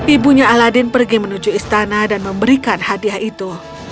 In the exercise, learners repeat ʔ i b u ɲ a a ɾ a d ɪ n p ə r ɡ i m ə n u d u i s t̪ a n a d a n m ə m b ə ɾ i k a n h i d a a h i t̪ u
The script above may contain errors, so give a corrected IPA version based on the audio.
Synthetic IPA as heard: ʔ i b u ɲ a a l a d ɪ n p ə r ɡ i m ə n u d͡ʒ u i s t̪ a n a d a n m ə m b ə ɾ i k a n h a d i a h i t̪ u